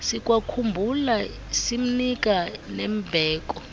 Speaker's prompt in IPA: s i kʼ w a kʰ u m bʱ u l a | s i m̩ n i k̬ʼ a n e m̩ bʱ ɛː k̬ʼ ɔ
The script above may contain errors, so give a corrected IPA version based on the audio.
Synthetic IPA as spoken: s i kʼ w a kʰ u m bʱ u l a | s i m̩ n i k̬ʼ a n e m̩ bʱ ɛː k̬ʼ ɔ